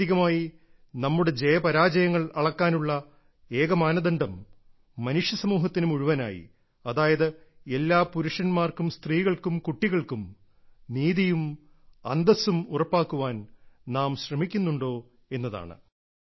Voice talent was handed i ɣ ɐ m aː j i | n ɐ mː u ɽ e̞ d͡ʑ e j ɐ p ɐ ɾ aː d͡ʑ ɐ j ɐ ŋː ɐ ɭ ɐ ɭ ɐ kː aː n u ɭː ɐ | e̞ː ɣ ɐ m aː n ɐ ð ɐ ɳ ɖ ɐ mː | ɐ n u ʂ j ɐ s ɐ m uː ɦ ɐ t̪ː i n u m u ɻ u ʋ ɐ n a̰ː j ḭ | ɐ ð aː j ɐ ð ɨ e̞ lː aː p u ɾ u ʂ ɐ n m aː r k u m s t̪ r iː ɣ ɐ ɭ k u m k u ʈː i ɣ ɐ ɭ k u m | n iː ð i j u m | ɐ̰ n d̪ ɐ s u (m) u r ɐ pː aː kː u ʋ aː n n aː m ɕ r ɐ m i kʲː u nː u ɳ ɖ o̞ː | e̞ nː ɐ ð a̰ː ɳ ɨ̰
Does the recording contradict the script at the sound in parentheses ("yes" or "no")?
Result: no